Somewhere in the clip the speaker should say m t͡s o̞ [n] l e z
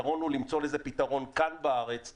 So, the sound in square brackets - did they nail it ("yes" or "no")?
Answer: no